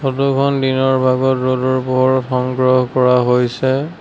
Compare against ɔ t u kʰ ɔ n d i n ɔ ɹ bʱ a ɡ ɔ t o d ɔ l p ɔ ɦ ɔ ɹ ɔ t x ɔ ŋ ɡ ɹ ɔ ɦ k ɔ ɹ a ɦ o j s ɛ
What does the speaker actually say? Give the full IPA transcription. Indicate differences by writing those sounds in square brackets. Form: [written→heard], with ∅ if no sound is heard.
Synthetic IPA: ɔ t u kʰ ɔ n d i n ɔ ɹ bʱ a ɡ ɔ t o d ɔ [l→ɹ] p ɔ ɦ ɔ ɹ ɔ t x ɔ ŋ ɡ ɹ ɔ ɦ k ɔ ɹ a ɦ o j s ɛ